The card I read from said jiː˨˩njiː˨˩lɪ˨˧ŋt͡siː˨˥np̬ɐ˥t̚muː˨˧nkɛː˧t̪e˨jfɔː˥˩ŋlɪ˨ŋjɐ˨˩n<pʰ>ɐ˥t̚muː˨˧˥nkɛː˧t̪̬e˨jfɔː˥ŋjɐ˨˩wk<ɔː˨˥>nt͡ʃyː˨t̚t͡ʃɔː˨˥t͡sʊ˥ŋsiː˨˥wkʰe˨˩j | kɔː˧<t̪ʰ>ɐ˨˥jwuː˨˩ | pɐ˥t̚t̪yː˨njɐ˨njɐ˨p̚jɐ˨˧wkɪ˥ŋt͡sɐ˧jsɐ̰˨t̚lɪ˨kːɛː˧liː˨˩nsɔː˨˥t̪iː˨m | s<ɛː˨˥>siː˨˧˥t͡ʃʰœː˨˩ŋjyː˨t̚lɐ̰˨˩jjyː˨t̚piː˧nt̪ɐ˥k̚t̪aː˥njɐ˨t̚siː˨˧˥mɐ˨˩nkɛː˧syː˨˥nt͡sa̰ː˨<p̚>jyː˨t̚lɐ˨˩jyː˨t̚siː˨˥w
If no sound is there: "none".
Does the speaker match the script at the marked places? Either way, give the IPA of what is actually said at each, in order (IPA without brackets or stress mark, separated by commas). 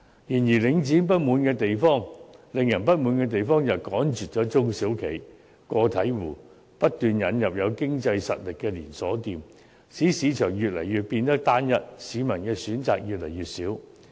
p, ɔː˨˥, t̪ʰ, iː˨˥, k̚